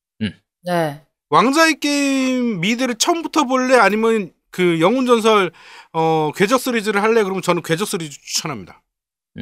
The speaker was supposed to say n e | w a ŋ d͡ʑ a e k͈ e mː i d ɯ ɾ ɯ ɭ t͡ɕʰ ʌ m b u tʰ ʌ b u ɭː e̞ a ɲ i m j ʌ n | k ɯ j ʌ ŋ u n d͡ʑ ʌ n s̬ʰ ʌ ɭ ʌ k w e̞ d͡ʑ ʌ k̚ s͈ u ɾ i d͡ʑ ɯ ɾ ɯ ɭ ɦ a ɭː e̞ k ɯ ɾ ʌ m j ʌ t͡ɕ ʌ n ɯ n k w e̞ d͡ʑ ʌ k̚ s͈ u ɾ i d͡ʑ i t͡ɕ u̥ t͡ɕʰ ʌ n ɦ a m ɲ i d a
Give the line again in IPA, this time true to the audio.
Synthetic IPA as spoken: n e | w a ŋ d͡ʑ a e k͈ e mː i d ɯ ɾ ɯ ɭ t͡ɕʰ ʌ m b u tʰ ʌ b o ɭː e̞ a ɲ i m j ʌ n | k ɯ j ʌ ŋ u n d͡ʑ ʌ n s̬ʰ ʌ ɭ ʌ k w e̞ d͡ʑ ʌ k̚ s͈ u ɾ i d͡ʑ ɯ ɾ ɯ ɭ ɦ a ɭː e̞ k ɯ ɾ ʌ m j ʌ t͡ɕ ʌ n ɯ n k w e̞ d͡ʑ ʌ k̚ s͈ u ɾ i d͡ʑ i t͡ɕ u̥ t͡ɕʰ ʌ n ɦ a m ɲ i d a